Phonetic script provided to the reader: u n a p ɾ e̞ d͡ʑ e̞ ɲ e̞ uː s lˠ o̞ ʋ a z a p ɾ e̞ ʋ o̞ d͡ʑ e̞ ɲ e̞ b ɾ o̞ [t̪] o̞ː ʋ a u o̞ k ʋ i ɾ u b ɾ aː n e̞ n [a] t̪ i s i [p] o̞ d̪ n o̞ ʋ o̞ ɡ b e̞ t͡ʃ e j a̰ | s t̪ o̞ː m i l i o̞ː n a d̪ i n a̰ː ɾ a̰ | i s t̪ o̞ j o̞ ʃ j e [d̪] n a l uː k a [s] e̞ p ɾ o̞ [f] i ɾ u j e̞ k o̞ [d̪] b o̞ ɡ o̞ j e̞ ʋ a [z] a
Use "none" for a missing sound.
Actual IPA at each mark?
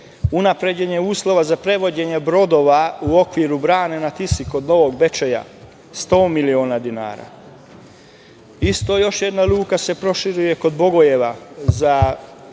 d̪, a, k, d̪, s, ʃ, d̪, z

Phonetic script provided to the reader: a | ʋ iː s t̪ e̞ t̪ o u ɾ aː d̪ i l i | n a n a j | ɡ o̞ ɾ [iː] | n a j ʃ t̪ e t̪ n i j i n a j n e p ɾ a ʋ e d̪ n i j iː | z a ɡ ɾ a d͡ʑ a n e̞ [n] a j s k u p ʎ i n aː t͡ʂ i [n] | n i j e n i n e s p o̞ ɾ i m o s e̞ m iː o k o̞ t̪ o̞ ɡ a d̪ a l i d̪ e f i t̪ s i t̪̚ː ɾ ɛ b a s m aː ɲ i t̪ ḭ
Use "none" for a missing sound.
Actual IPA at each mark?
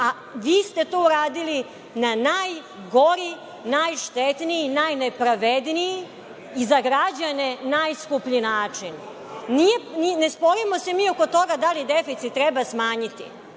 i, n, n

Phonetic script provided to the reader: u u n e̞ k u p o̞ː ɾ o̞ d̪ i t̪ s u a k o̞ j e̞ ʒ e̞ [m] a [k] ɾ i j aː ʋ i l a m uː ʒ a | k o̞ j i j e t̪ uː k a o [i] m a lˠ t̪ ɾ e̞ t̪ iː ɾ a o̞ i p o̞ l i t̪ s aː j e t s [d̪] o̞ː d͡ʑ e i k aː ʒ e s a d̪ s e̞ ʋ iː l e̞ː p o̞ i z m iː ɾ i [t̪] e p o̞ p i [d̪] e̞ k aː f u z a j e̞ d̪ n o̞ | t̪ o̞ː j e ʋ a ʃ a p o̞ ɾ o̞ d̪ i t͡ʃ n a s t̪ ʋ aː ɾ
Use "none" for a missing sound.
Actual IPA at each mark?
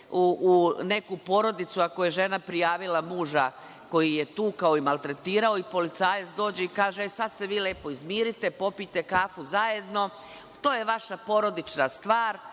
n, p, i, d̪, t̪, t̪

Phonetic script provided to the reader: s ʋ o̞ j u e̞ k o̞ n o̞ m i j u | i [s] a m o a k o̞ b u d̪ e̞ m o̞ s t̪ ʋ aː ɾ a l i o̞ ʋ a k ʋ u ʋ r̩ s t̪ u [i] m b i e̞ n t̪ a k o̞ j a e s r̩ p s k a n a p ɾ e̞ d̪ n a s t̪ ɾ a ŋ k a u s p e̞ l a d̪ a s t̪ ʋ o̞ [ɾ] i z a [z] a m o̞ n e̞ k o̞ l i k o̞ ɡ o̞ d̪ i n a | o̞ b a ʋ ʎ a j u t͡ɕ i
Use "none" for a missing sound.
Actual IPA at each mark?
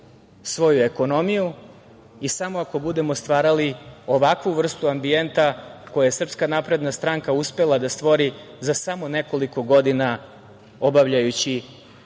s, a, ɾ, s

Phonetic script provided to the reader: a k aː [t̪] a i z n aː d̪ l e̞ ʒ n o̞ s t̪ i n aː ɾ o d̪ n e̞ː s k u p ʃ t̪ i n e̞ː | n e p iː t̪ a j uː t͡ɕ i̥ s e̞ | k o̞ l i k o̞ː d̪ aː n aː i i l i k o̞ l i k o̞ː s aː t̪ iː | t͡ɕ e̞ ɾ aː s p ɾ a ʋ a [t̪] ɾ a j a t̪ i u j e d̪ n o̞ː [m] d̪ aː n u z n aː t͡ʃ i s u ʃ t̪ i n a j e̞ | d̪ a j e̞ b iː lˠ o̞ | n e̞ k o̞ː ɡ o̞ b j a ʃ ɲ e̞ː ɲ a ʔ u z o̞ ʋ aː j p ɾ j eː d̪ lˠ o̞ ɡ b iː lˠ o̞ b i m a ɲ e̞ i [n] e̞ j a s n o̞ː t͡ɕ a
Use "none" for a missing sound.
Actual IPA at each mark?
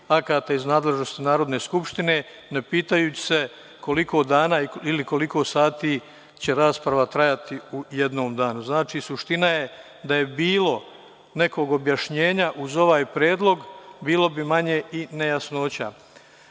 t̪, t̪, m, n

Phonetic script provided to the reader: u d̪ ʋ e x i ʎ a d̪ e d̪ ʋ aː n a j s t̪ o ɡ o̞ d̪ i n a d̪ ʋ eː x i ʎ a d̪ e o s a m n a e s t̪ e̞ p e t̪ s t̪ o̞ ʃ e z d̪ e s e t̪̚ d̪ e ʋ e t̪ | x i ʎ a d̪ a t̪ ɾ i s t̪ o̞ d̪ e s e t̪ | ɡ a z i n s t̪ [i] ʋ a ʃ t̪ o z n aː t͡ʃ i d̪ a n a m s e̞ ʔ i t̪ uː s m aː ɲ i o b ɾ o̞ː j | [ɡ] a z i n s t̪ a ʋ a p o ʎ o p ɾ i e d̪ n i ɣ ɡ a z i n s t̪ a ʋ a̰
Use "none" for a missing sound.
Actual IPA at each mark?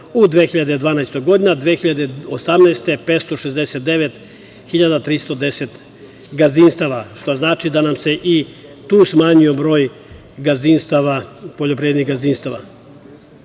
a, ɡ

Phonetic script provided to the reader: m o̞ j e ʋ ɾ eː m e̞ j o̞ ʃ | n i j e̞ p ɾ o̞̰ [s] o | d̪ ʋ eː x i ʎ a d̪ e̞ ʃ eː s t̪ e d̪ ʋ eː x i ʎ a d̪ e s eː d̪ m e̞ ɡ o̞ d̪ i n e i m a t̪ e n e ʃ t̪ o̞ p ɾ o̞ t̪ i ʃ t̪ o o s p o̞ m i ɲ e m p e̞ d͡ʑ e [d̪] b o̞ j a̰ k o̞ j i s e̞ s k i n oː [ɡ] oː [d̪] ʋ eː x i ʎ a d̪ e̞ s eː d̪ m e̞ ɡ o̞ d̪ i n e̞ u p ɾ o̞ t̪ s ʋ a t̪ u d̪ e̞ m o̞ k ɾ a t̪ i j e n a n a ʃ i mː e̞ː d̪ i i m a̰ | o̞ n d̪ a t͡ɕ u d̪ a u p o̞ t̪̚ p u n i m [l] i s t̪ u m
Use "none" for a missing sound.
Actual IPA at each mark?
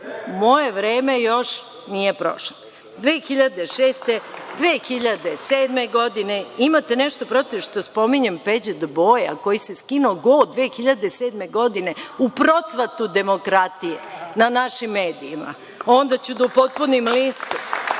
ʃ, d̪, ɡ, d̪, l

